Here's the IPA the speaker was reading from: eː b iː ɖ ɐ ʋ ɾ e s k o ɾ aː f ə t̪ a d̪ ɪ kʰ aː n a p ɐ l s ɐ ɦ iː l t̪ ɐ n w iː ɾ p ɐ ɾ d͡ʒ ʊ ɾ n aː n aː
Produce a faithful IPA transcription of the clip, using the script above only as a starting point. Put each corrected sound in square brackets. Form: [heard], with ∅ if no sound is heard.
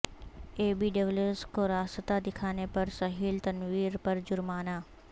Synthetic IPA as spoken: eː b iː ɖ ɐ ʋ [l] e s k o ɾ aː [s] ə t̪ a d̪ ɪ kʰ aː n [e] p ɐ [ɾ] s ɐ ɦ iː l t̪ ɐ n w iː ɾ p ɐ ɾ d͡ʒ ʊ ɾ [m] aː n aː